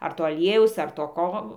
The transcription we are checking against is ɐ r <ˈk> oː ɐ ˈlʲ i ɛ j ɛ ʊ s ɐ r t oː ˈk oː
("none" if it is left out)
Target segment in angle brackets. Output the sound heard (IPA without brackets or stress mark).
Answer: t